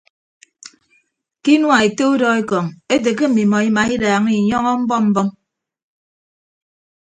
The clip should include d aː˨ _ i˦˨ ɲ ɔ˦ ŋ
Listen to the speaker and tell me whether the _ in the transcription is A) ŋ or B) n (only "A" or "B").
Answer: A